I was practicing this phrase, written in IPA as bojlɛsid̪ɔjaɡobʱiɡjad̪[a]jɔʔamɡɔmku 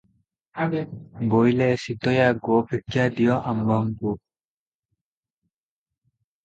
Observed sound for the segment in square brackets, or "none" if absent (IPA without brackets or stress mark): i